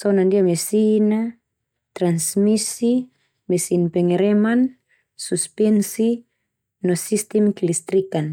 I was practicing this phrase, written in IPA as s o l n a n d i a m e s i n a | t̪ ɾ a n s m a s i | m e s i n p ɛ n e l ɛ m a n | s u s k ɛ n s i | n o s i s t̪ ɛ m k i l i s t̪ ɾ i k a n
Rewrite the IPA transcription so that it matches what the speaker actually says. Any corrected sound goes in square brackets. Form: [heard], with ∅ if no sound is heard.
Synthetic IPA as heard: s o [∅] n a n d i a m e s i n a | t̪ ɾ a n s m [i] s i | m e s i n p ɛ [ŋ] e [ɾ] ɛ m a n | s u s [p] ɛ n s i | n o s i s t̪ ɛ m k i l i s t̪ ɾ i k a n